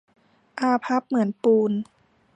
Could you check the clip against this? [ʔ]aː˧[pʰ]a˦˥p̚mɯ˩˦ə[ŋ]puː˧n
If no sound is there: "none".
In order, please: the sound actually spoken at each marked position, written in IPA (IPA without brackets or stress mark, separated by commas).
ʔ, pʰ, n